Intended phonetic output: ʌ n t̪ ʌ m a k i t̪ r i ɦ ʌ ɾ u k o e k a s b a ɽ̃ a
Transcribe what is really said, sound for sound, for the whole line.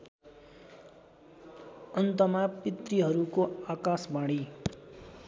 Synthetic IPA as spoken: ʌ n t̪ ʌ m a p i t̪ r i ɦ ʌ ɾ u k o a k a s b a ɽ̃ i